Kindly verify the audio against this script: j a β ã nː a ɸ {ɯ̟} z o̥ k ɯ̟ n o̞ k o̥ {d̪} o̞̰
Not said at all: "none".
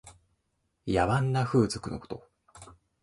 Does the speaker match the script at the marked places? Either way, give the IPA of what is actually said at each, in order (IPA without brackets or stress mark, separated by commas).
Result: ɯ̟ː, t̪